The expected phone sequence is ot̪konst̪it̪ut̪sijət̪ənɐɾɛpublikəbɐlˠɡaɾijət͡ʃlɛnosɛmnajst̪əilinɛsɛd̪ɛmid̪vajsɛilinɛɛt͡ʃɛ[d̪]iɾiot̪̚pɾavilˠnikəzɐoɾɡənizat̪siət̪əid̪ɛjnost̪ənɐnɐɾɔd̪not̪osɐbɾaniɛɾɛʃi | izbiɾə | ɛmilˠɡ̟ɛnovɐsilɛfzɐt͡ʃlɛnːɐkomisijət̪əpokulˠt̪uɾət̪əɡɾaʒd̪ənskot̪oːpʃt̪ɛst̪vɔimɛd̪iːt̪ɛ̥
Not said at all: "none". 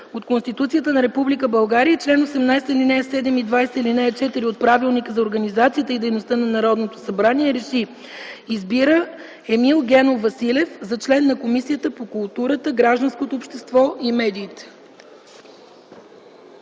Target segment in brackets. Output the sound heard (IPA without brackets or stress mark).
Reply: t̪